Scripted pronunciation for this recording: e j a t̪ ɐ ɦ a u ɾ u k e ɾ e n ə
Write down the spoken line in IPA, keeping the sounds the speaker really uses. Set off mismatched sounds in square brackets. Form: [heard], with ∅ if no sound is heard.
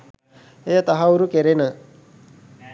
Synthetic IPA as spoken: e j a t̪ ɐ ɦ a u ɾ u k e ɾ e n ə